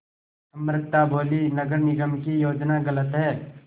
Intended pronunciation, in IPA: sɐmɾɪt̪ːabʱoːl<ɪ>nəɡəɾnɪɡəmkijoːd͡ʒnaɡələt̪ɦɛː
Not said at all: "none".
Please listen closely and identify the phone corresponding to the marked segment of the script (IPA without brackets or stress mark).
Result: i